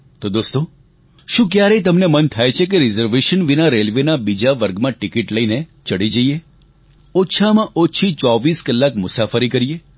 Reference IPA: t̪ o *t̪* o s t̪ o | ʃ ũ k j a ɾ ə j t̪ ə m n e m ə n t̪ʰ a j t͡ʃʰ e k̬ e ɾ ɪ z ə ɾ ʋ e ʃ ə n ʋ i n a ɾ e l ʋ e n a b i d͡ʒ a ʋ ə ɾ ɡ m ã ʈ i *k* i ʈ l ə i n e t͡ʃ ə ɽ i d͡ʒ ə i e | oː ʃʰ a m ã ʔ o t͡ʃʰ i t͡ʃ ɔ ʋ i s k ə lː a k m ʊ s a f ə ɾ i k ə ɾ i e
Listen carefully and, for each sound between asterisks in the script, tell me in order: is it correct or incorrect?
incorrect: d̪, correct

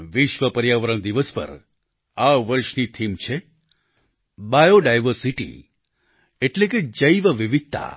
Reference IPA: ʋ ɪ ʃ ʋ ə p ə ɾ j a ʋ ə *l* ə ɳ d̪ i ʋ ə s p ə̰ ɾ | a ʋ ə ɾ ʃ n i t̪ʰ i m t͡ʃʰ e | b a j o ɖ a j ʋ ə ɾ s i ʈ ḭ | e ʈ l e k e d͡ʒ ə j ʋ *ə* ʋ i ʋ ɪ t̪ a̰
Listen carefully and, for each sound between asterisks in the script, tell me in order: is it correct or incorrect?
incorrect: ɾ, correct

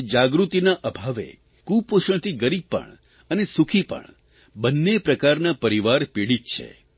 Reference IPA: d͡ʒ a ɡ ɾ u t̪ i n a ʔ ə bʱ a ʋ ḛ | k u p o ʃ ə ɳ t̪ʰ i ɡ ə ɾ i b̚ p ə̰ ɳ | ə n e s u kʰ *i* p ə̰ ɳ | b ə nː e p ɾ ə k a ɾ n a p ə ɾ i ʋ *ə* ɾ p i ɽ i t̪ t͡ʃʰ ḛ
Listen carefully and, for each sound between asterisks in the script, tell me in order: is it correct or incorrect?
correct, incorrect: a

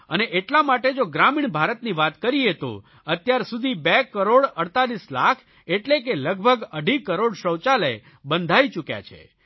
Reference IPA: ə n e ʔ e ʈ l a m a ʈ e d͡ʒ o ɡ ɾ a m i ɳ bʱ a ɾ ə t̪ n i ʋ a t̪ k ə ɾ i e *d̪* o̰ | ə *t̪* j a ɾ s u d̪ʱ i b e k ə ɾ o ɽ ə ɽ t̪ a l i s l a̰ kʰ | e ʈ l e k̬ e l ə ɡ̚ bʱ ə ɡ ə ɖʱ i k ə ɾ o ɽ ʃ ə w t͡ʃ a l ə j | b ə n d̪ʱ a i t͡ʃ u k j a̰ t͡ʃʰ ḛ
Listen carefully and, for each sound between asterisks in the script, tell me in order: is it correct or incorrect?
incorrect: t̪, correct

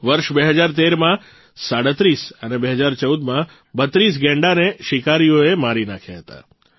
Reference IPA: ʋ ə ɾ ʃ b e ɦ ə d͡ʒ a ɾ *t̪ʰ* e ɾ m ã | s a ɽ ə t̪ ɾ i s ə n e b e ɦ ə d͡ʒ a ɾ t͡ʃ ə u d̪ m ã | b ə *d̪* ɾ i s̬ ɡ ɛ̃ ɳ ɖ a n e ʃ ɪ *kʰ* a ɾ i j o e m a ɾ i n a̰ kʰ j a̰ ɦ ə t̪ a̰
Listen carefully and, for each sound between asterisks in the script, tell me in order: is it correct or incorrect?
incorrect: t̪, incorrect: t̪, incorrect: k

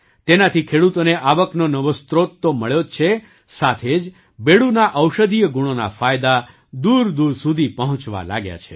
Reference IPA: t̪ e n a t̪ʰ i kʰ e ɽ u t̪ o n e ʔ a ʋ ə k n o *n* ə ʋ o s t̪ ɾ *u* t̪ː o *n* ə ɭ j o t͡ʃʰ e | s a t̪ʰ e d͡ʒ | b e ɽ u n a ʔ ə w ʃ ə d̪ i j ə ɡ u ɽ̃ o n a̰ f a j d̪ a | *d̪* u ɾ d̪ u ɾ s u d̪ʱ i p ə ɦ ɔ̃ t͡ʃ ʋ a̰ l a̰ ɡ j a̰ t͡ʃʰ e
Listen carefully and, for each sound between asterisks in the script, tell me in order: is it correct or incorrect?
correct, incorrect: o, incorrect: m, correct

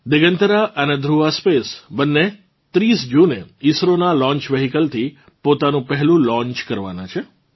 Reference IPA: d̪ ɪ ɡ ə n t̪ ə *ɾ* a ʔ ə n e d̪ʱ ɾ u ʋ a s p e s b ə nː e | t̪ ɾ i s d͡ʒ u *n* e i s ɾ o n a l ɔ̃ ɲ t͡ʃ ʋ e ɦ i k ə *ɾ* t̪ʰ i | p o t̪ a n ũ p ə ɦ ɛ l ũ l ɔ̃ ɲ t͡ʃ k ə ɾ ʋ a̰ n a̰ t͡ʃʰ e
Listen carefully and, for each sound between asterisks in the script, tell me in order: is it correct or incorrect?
correct, correct, incorrect: l

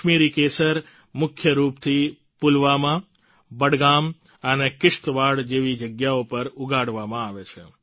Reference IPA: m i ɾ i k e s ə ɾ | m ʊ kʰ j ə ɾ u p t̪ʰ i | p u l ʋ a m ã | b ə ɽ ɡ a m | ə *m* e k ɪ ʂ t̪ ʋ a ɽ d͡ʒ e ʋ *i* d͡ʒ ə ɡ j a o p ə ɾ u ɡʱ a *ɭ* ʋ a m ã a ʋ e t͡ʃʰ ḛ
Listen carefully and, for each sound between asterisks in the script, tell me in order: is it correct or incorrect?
incorrect: n, correct, incorrect: ɽ

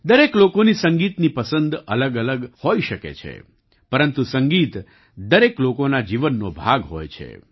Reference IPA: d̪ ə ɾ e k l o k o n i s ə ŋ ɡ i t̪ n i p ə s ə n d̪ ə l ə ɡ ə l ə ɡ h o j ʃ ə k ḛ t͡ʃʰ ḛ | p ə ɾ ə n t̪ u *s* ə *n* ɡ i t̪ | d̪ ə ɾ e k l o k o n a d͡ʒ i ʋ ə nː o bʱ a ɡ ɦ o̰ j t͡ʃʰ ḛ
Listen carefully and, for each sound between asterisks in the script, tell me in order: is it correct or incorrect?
correct, incorrect: ŋ

